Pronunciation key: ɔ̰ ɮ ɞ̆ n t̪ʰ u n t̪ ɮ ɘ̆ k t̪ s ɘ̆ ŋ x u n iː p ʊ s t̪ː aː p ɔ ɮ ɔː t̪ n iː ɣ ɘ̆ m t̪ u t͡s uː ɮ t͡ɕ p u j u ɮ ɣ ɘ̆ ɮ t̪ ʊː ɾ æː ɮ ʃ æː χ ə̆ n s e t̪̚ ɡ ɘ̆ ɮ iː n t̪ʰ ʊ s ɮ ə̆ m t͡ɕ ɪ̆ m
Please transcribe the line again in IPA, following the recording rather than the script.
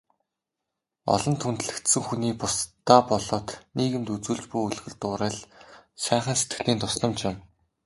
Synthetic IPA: ɔ̰ ɮ ɞ̆ n t̪ʰ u n t̪ ɮ ɘ̆ k t̪ s ɘ̆ ŋ x u n iː p ʊ s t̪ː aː p ɔ ɮ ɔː t̪ n iː ɣ ɘ̆ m t̪ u t͡s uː ɮ t͡ɕ p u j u ɮ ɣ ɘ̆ ɮ t̪ ʊː ɾ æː ɮ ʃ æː χ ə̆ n s e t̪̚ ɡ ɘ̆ ɮ iː n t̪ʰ ʊ s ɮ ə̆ m t͡ɕ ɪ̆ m